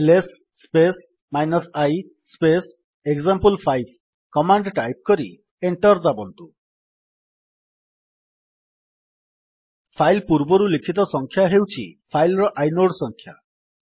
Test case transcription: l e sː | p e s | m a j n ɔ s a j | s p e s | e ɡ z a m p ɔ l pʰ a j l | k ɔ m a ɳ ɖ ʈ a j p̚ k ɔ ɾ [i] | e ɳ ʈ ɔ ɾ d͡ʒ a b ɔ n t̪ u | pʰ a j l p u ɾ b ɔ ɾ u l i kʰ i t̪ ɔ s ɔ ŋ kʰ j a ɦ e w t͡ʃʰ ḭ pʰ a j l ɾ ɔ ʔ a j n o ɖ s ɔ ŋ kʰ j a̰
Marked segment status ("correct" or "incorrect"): correct